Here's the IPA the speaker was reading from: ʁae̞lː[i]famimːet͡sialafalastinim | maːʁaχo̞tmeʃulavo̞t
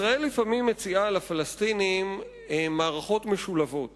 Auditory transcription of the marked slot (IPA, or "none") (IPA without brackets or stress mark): i